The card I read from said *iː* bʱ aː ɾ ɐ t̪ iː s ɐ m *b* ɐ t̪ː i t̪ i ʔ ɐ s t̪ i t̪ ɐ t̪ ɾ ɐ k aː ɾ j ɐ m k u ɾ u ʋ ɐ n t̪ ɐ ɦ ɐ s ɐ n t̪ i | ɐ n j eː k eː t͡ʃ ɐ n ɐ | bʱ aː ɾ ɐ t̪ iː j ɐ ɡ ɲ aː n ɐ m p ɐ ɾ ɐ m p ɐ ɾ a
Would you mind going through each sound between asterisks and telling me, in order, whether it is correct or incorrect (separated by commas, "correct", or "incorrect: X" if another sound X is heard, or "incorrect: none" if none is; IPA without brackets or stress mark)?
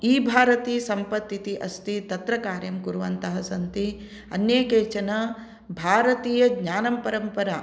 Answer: correct, incorrect: p